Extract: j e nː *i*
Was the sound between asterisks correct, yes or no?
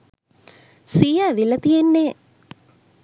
no